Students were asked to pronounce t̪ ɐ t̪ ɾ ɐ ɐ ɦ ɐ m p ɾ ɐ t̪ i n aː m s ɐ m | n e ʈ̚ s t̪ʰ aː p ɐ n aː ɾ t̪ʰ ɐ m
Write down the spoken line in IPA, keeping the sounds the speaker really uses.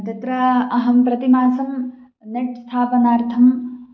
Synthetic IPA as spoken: t̪ ɐ t̪ ɾ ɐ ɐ ɦ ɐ m p ɾ ɐ t̪ i m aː s ɐ m | n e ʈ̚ s t̪ʰ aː p ɐ n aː ɾ t̪ʰ ɐ m